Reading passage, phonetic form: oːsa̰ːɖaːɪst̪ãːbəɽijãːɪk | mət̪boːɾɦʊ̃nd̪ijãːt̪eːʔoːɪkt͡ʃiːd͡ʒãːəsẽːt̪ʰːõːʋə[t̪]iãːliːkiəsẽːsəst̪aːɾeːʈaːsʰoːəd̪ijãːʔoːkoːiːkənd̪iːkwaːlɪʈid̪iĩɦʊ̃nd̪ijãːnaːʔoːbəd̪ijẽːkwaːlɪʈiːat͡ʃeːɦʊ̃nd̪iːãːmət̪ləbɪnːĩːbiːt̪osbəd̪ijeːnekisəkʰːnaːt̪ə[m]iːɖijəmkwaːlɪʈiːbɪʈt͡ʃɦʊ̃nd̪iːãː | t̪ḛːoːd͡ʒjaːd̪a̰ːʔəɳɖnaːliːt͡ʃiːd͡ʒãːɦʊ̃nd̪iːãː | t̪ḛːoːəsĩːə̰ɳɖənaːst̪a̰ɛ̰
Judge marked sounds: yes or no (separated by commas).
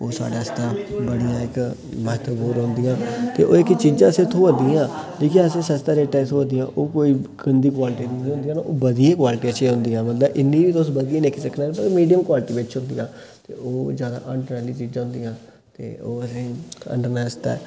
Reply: no, yes